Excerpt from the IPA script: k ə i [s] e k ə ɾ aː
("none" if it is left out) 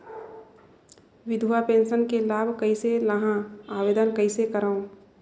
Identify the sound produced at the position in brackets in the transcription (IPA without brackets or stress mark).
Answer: s